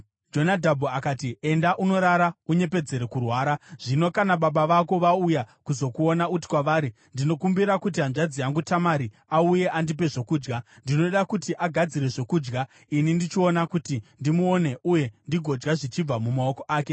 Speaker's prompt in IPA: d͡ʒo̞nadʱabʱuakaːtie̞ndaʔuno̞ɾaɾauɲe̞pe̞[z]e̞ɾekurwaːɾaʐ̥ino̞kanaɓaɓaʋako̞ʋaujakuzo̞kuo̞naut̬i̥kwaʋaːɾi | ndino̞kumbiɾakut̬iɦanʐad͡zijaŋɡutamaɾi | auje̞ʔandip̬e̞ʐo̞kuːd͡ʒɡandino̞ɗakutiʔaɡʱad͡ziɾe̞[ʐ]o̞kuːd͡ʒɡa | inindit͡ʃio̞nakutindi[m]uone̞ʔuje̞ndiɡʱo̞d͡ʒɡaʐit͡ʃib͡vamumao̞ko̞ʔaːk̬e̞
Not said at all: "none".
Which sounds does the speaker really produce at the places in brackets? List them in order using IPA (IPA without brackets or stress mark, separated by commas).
d͡z, ʐ, m